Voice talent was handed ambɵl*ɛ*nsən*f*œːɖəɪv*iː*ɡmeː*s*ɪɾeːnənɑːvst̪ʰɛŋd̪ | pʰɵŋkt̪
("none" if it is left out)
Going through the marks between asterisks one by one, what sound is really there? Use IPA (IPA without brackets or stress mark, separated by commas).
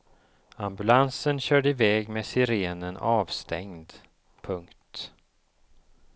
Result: a, ɕ, ɛː, s